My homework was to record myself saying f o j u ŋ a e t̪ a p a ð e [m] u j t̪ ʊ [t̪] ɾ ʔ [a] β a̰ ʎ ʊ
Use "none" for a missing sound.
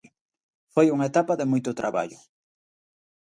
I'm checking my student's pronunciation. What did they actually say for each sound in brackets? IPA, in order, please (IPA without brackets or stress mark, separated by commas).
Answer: m, t̪, a